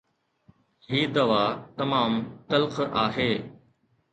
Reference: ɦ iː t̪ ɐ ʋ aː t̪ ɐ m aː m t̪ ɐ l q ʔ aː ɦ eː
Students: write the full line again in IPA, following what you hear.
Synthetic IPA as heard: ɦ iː d̪ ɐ ʋ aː t̪ ɐ m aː m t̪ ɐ l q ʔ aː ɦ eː